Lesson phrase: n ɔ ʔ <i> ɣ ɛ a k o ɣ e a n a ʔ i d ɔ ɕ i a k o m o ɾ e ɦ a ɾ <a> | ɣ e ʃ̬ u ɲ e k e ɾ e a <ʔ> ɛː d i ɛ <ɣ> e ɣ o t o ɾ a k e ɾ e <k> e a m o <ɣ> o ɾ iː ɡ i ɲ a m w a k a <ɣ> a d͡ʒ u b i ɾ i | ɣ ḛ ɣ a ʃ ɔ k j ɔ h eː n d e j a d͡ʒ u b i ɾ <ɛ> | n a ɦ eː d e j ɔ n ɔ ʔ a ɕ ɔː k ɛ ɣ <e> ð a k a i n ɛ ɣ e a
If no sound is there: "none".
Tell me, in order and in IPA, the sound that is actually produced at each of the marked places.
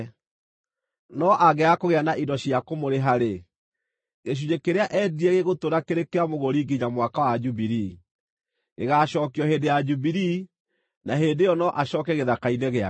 a, e, ʔ, ɣ, k, ɣ, w, i, e

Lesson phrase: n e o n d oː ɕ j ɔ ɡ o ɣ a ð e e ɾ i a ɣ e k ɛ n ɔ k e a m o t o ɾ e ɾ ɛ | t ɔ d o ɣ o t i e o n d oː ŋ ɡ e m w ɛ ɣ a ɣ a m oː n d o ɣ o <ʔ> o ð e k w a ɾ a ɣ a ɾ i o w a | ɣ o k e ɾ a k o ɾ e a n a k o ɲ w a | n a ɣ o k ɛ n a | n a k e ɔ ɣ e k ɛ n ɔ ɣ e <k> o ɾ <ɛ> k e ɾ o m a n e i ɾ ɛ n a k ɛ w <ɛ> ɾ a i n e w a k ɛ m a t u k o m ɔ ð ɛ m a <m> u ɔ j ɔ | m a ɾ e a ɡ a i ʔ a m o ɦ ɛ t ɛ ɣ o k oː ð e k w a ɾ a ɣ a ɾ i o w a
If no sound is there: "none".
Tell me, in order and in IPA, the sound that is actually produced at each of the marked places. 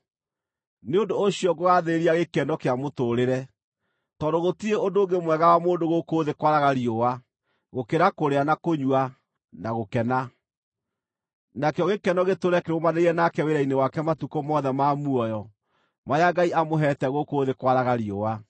k, t, ɛ, e, m

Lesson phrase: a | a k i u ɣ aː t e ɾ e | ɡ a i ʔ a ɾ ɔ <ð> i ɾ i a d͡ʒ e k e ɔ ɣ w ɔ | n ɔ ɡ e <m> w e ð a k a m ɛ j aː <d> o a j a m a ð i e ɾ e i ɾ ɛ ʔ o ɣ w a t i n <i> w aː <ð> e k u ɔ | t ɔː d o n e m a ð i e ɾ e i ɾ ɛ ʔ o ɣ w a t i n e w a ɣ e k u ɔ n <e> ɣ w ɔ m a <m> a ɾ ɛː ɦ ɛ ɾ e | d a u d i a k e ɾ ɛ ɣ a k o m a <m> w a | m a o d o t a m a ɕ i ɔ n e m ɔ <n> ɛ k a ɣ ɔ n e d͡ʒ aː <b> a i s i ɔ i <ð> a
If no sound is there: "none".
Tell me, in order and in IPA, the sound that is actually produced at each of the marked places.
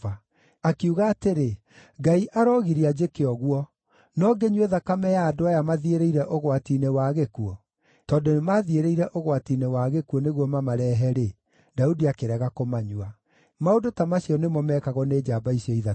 ɣ, ɲ, d, e, ɣ, e, m, ɲ, m, b, ð

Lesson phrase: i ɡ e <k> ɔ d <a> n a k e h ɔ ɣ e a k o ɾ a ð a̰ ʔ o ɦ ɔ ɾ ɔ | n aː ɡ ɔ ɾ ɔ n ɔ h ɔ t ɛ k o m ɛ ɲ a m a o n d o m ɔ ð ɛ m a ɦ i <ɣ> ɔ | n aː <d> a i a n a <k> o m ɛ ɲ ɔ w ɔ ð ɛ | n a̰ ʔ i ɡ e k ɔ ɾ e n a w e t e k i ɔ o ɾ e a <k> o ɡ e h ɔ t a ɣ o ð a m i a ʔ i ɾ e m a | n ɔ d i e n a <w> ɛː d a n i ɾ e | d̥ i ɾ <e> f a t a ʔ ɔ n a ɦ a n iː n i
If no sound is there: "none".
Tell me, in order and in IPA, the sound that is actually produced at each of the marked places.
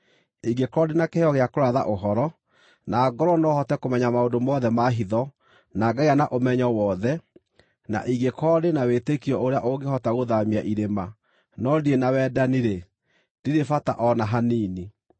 k, e, ð, ɡ, ʔ, ʔ, w, e

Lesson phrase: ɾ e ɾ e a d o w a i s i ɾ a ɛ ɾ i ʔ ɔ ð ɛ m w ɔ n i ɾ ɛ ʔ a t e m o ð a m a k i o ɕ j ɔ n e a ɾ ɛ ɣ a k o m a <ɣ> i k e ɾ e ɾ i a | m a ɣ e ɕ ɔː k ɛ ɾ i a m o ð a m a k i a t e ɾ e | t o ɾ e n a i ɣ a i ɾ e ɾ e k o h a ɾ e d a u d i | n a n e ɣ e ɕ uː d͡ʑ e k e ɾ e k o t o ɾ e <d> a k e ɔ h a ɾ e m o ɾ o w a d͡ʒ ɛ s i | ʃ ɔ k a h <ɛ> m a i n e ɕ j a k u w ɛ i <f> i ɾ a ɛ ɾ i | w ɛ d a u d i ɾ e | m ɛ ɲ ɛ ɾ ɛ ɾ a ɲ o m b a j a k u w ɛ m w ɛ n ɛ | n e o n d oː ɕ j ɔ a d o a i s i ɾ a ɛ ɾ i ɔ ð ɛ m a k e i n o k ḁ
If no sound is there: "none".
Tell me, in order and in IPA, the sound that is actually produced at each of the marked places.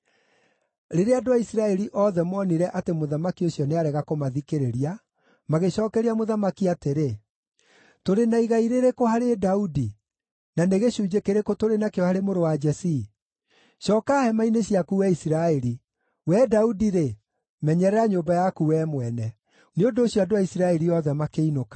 ð, n, ɛ, s

